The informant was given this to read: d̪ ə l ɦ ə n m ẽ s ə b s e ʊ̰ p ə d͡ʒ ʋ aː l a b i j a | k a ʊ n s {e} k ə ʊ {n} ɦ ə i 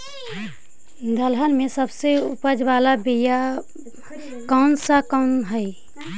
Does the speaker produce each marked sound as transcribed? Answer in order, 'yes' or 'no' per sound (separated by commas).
no, yes